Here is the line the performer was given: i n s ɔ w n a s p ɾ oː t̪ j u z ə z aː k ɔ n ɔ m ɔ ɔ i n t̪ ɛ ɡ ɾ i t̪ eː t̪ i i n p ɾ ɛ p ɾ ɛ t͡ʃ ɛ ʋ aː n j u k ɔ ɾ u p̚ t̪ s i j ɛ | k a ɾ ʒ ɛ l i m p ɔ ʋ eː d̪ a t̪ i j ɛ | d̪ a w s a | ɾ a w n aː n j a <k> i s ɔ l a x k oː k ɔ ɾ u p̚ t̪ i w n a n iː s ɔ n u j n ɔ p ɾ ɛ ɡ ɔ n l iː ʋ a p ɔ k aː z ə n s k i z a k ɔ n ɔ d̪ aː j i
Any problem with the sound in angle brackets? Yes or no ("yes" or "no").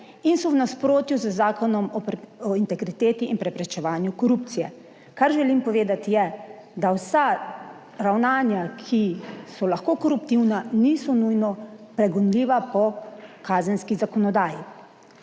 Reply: yes